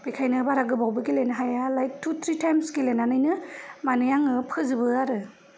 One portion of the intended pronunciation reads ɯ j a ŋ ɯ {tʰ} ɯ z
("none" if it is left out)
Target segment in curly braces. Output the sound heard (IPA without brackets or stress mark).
pʰ